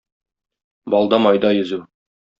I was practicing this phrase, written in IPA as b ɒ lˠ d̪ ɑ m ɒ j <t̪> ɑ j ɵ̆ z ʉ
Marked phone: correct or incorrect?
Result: incorrect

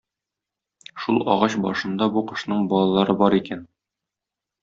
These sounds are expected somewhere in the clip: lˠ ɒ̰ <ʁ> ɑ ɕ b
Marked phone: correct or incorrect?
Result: correct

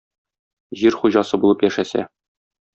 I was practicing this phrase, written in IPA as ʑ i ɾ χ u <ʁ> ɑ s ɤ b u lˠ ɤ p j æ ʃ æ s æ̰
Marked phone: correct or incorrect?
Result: incorrect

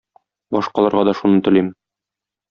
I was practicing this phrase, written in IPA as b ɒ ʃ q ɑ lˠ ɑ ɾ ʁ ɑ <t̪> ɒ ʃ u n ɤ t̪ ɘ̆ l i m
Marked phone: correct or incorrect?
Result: incorrect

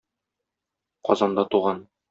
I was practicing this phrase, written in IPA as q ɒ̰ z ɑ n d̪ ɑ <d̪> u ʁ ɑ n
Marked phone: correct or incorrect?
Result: incorrect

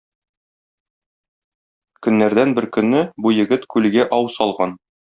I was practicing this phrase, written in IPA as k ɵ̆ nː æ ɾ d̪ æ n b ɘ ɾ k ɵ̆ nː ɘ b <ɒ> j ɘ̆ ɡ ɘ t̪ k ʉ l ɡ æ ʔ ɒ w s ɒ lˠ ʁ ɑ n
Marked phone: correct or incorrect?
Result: incorrect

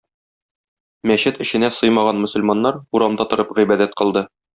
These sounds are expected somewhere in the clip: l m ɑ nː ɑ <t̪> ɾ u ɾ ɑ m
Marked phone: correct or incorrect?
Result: incorrect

